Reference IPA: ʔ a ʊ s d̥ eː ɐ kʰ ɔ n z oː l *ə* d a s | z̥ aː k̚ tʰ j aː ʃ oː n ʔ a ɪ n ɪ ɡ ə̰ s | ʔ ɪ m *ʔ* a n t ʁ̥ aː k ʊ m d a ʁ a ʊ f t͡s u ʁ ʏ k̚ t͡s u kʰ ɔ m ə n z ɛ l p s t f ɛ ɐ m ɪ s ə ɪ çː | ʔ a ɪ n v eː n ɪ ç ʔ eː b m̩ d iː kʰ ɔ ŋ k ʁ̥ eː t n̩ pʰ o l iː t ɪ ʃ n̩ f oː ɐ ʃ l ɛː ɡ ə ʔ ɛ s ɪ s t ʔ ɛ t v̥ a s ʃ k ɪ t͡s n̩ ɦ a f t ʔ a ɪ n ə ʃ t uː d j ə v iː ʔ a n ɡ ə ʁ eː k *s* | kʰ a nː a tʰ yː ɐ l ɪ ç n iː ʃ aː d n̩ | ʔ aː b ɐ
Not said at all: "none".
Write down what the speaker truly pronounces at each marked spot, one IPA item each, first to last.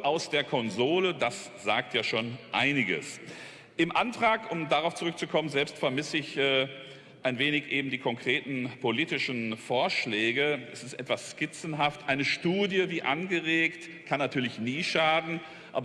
ə, ʔ, t

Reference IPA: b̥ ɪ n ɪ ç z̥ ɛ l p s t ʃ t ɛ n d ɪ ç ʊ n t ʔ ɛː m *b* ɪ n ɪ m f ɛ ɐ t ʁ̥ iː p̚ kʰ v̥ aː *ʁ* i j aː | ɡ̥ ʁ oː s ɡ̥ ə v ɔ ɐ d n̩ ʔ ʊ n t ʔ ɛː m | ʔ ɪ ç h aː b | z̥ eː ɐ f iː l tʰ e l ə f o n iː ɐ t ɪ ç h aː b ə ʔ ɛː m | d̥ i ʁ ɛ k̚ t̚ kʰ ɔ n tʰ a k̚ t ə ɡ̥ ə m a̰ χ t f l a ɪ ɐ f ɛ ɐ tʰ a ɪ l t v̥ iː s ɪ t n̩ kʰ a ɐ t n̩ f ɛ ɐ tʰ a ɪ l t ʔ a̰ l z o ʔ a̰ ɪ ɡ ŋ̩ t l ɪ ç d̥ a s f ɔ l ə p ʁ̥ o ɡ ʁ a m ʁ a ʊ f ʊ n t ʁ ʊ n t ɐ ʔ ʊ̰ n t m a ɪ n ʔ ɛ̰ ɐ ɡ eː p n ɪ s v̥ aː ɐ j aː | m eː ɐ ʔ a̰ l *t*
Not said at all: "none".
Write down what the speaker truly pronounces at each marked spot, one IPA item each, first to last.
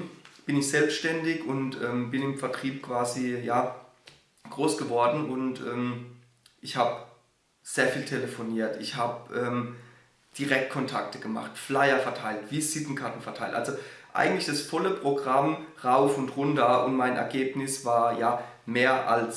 b, z, s

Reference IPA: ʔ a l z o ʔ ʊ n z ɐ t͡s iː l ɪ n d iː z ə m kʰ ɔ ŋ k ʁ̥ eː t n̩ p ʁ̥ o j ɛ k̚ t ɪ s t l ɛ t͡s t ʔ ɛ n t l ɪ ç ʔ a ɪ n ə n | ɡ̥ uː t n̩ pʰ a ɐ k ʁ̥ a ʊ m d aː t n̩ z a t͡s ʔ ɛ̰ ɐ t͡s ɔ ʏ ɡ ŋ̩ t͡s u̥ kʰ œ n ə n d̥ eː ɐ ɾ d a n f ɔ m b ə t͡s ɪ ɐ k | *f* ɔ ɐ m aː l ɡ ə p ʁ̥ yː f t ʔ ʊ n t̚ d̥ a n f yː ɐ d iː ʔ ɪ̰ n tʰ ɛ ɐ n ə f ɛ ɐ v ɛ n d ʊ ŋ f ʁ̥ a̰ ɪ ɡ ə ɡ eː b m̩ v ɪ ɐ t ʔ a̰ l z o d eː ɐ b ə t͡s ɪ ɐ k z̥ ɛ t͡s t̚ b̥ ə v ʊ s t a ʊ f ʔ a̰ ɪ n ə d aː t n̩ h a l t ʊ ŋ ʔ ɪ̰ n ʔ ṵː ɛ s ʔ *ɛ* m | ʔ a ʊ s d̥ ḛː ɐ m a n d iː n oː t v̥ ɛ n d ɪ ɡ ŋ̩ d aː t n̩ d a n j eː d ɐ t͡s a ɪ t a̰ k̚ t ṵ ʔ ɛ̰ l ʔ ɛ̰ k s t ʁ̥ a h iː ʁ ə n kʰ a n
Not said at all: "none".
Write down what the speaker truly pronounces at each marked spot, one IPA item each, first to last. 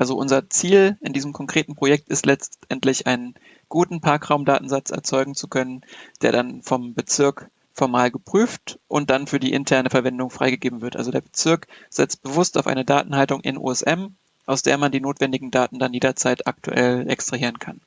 f, ɛ

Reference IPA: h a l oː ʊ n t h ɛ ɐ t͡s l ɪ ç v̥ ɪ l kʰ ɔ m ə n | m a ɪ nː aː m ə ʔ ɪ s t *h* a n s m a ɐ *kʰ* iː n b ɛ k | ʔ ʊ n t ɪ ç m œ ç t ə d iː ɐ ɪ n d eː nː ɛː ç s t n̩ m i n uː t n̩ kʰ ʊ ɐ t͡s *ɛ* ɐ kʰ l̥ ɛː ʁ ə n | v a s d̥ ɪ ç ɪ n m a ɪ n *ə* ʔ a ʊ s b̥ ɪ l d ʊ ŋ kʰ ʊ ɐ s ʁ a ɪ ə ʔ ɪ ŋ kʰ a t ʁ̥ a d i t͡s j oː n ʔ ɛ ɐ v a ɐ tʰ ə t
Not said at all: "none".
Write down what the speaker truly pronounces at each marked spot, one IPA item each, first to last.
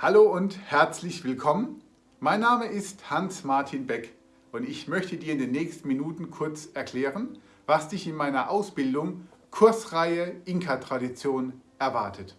h, tʰ, ɛ, ɐ

